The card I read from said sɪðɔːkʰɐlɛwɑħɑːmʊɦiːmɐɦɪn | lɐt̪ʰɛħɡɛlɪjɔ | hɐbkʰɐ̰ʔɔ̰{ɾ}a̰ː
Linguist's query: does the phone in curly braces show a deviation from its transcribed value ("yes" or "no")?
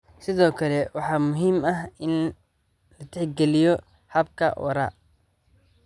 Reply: no